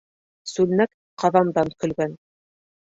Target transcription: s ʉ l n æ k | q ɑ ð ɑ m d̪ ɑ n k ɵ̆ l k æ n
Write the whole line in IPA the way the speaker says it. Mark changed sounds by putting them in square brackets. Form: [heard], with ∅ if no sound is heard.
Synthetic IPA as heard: s ʉ l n æ k | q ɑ ð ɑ m d̪ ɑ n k ɵ̆ l [ɡ] æ n